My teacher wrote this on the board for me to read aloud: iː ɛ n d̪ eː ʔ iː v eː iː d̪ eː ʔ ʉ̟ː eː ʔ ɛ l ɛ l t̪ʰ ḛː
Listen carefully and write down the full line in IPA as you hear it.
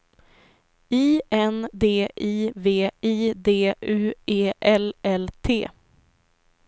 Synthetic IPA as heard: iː ɛ n d̪ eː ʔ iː v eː iː d̪ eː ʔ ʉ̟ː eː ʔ ɛ l ɛ l t̪ʰ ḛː